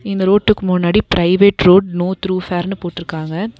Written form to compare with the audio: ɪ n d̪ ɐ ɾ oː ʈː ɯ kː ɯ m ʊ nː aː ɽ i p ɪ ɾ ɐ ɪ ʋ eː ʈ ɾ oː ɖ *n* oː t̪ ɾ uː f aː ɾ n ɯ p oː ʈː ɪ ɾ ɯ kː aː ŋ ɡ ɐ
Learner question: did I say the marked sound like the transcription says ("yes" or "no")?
yes